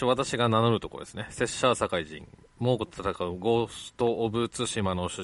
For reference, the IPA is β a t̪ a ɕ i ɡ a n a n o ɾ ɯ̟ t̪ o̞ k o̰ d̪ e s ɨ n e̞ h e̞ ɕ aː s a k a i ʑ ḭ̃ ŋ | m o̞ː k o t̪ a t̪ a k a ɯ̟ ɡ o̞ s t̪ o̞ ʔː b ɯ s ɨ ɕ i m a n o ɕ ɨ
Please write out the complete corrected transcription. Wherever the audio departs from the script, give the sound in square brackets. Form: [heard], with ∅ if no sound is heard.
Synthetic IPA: β a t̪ a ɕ i ɡ a n a n o ɾ ɯ̟ t̪ o̞ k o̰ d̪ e s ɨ n e̞ [s] e̞ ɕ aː s a k a i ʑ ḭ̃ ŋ | m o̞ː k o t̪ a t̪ a k a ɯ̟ ɡ o̞ s t̪ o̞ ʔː b ɯ [t͡s] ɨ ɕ i m a n o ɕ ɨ